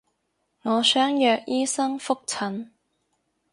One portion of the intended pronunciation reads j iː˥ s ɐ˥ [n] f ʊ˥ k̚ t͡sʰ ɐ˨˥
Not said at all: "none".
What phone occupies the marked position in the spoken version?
ŋ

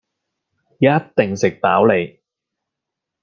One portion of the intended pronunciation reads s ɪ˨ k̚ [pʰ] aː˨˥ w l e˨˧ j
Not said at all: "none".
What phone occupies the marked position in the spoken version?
p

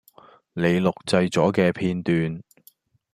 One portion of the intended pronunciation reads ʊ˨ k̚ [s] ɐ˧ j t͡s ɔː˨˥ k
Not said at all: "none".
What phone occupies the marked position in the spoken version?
t͡s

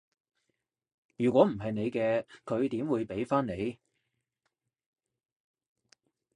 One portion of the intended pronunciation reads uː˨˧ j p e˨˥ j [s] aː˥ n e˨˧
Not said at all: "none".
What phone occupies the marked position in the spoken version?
f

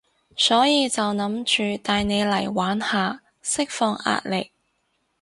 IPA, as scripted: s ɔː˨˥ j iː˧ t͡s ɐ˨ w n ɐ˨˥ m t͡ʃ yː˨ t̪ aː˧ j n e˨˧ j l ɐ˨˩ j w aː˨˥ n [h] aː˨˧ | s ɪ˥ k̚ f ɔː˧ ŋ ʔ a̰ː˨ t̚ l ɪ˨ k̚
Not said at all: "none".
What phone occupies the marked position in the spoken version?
h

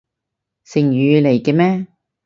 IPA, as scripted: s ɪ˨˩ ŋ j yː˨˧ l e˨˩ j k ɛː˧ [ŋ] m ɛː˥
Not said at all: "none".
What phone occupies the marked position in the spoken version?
none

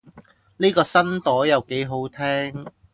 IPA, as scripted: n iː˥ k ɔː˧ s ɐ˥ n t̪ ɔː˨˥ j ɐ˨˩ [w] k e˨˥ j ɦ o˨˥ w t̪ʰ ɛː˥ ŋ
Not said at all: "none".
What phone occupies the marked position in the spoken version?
w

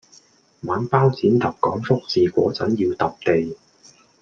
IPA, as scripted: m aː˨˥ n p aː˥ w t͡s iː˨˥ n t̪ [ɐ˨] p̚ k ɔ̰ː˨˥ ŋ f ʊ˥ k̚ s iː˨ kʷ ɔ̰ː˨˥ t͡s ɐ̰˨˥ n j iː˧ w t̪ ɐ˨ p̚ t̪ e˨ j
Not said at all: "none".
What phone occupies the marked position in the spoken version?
ɐ˨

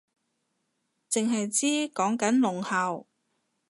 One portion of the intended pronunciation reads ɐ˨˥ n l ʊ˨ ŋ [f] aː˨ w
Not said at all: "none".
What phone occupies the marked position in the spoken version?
h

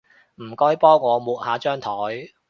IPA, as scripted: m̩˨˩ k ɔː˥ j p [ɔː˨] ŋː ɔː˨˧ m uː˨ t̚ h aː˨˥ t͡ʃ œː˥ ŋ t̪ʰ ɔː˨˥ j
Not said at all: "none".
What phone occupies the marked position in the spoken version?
ɔː˥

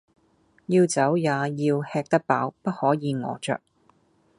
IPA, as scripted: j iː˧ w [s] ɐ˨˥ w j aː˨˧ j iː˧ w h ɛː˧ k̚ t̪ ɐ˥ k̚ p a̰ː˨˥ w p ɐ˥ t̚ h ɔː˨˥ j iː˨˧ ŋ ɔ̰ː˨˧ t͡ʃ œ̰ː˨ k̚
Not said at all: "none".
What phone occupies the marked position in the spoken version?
t͡s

